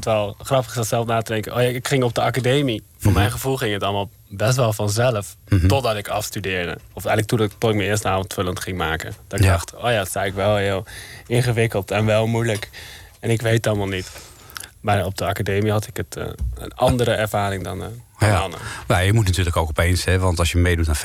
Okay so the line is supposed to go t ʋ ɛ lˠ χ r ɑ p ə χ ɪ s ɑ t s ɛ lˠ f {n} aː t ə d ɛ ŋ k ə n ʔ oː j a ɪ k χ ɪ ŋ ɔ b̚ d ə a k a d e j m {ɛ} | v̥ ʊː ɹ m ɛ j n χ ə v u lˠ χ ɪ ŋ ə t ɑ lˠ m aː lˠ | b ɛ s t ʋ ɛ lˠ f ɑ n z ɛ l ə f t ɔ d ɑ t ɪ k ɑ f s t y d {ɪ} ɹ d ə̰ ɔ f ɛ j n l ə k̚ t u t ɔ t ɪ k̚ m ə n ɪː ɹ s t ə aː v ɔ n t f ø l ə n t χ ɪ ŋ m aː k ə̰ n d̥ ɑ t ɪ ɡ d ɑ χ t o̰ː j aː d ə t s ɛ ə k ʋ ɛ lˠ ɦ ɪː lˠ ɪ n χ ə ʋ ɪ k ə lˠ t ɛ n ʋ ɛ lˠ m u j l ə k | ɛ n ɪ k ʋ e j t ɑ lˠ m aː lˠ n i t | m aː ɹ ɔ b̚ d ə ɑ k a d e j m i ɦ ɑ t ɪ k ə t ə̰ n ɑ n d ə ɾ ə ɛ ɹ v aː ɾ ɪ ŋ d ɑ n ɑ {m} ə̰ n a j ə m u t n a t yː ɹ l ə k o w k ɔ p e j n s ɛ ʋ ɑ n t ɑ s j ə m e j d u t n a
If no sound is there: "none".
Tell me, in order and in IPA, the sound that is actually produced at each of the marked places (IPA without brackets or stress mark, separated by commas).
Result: n, i, ɪː, n